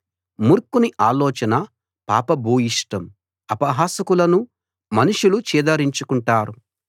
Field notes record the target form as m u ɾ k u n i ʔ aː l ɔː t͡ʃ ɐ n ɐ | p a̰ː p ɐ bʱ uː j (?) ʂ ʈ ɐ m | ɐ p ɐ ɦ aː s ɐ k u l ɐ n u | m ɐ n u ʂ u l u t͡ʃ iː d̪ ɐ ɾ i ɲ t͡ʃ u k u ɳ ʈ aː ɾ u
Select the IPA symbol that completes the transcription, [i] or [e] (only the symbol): i